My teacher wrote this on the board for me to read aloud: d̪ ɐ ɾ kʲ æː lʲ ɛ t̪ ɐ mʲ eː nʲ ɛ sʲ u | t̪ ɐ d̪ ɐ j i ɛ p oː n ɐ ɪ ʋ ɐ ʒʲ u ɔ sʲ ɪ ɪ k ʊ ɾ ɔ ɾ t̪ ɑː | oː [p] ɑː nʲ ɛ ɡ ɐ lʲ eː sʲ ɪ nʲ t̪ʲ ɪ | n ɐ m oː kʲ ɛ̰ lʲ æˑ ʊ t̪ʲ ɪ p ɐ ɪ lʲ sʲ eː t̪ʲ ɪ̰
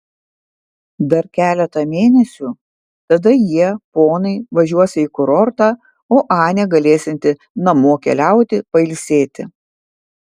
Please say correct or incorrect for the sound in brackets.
incorrect